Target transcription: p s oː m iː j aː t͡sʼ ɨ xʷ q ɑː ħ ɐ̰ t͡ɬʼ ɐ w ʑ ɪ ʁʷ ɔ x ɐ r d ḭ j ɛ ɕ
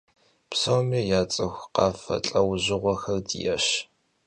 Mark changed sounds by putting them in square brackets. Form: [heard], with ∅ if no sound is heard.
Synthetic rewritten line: p s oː m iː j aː t͡sʼ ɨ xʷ q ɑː [f] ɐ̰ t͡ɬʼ ɐ w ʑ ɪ ʁʷ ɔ x ɐ r d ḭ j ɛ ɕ

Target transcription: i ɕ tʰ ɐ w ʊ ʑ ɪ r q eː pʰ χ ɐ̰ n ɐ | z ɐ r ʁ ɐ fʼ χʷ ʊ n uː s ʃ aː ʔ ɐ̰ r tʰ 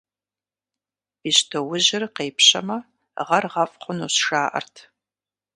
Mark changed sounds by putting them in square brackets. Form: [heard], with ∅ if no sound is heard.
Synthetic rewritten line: i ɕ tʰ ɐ w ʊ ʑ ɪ r q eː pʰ [ɕ] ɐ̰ [m] ɐ | [ʁ] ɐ r ʁ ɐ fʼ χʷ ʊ n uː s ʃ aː ʔ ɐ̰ r tʰ

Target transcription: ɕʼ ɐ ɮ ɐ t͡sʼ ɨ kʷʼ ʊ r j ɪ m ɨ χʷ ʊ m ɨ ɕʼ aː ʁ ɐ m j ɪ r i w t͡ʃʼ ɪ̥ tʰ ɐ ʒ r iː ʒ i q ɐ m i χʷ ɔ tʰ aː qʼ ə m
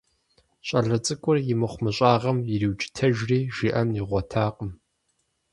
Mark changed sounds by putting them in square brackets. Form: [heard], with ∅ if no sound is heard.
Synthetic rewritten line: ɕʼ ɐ ɮ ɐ t͡sʼ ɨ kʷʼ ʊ r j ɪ m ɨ χʷ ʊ m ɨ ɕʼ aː ʁ ɐ m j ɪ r i w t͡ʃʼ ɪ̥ tʰ ɐ ʒ r iː ʒ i [ʔ] ɐ m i [ʁʷ] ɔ tʰ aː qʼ ə m

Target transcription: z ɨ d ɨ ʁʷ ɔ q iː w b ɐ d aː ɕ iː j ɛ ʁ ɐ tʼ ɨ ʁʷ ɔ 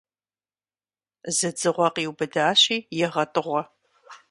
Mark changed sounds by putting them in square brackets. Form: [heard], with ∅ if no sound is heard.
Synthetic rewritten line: z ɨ [d͡z] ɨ ʁʷ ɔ q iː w b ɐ d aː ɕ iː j ɛ ʁ ɐ tʼ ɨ ʁʷ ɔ

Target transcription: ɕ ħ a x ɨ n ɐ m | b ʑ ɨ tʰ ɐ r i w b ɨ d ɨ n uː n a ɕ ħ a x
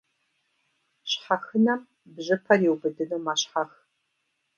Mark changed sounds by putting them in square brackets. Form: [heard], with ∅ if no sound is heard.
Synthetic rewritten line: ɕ ħ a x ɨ n ɐ m | b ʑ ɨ [pʰ] ɐ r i w b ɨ d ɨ n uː [m] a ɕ ħ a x

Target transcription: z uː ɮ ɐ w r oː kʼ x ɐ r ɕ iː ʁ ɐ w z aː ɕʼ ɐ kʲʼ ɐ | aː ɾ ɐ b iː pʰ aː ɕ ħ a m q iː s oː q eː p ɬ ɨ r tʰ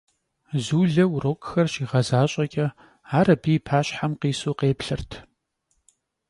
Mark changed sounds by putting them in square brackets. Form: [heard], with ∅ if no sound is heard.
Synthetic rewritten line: z uː ɮ ɐ w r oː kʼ x ɐ r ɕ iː ʁ ɐ [∅] z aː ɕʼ ɐ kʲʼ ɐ | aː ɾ ɐ b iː pʰ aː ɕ ħ a m q iː s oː q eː p ɬ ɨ r tʰ

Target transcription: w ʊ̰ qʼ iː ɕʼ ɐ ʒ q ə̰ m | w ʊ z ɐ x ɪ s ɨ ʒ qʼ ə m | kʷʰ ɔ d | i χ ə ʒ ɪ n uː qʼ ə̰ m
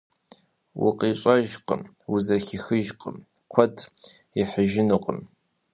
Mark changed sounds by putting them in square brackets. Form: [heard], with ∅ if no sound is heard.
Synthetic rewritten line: w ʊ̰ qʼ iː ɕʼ ɐ ʒ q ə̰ m | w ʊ z ɐ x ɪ [x] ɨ ʒ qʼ ə m | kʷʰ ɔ d | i [ħ] ə ʒ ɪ n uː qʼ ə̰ m

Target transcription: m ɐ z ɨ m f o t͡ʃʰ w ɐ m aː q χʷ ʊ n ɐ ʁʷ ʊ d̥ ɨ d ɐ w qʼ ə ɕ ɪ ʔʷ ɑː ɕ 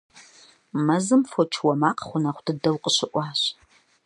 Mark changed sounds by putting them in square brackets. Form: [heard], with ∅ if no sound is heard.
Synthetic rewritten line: m ɐ z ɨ m f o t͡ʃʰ w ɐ m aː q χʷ ʊ n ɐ [χʷ] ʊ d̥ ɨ d ɐ w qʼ ə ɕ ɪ ʔʷ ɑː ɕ

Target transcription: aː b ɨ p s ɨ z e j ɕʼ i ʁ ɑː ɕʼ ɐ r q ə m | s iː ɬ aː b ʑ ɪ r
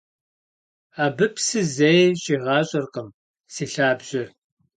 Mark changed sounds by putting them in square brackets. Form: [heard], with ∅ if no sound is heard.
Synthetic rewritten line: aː b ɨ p s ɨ z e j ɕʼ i ʁ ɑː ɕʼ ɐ r q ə m | s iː ɬ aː b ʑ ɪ r

